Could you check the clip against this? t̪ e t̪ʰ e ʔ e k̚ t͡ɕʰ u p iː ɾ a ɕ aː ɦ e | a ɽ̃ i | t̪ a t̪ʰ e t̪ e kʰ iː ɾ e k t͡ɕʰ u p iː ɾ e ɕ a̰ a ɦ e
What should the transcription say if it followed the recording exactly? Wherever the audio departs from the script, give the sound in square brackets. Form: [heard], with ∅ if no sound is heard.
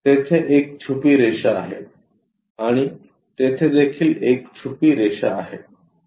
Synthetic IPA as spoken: t̪ e t̪ʰ e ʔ e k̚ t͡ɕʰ u p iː ɾ [e] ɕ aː ɦ e | a ɽ̃ i | t̪ [e] t̪ʰ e [d̪] e kʰ iː [l] e k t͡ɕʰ u p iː ɾ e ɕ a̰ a ɦ e